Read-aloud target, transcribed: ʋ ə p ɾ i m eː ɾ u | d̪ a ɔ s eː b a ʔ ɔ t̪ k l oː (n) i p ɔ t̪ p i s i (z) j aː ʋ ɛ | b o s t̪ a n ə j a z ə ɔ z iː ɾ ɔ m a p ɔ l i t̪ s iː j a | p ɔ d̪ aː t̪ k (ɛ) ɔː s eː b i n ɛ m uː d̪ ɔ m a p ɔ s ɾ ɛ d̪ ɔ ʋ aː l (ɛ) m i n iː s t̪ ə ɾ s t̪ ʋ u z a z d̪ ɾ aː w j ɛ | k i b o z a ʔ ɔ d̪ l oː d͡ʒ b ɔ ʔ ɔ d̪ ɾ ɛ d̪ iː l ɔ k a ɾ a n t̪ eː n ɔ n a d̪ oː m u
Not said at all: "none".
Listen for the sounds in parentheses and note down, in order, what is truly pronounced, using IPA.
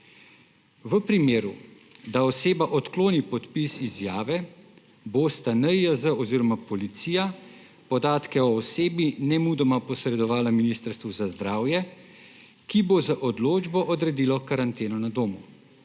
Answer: n, z, ɛ, a

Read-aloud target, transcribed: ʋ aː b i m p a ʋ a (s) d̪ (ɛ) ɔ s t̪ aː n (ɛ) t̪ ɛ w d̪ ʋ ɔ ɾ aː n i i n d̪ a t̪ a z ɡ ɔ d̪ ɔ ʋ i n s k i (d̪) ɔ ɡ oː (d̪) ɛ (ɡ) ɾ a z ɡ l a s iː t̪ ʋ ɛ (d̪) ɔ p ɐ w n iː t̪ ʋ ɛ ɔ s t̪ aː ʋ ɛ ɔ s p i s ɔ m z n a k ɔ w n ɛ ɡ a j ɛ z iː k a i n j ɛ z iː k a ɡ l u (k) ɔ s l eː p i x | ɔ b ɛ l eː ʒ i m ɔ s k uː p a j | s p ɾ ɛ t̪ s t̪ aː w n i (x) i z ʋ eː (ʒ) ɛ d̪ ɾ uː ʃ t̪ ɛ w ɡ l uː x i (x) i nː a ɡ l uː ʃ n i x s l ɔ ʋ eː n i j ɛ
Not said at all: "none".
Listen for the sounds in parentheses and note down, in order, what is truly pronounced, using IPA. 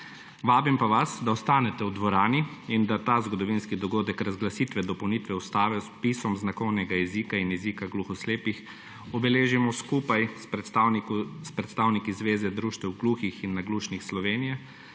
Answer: s, a, ɛ, d̪, d̪, k, d̪, x, k, z, x

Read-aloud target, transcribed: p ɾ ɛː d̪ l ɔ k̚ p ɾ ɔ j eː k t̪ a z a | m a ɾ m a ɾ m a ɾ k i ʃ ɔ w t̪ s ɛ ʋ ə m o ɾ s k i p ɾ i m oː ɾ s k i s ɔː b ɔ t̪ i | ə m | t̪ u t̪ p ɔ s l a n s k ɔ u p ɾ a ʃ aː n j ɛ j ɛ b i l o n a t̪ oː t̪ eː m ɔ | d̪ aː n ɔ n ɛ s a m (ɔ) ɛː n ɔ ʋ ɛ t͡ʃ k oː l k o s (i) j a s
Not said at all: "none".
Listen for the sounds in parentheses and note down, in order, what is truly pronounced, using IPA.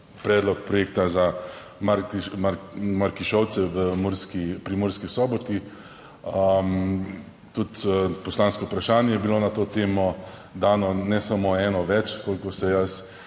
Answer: o, ɛ

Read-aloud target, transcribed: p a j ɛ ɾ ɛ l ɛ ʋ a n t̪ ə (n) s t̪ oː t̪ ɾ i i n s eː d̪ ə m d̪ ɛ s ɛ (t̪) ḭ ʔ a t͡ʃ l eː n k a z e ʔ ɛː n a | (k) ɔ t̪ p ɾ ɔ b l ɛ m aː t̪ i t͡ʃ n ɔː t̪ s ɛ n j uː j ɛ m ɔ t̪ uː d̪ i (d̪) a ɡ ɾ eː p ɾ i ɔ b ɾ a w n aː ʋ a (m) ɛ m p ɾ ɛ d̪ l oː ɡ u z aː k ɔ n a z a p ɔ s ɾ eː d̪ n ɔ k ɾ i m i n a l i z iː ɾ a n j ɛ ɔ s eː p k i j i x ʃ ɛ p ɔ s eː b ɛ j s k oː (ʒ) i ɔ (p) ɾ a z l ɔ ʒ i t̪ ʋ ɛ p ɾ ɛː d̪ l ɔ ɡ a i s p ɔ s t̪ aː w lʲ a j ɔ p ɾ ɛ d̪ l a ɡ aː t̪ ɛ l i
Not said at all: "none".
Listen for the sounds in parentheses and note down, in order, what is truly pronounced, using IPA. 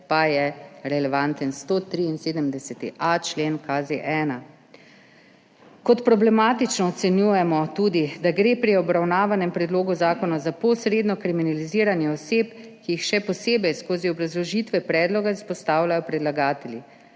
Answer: n, t̪, k, d̪, n, z, b

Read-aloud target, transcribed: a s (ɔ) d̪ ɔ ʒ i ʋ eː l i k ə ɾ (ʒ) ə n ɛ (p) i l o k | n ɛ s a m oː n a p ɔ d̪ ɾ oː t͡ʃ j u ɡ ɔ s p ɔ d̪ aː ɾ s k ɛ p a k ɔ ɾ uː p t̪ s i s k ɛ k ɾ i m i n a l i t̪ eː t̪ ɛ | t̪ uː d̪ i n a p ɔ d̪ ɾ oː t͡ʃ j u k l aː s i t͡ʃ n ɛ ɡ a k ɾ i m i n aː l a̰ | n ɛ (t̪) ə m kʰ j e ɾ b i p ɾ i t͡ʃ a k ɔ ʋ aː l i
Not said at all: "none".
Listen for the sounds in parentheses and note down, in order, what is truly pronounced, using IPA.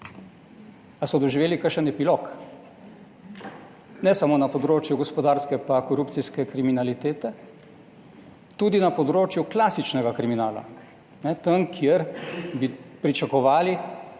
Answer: ɔ, ʃ, p, t̪

